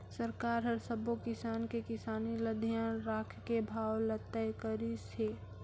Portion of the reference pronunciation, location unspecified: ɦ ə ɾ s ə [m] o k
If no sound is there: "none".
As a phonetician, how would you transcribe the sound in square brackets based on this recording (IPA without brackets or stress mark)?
b